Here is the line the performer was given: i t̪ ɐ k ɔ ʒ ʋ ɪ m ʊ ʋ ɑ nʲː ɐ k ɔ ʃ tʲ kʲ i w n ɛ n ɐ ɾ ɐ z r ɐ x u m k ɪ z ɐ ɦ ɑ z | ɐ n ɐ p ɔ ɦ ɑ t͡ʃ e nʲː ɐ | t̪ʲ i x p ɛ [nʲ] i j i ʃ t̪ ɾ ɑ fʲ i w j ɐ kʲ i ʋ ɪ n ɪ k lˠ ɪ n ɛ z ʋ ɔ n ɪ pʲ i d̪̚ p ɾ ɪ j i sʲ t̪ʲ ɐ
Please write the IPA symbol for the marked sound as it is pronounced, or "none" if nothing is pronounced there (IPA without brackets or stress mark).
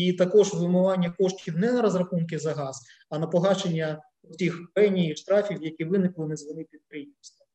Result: nʲ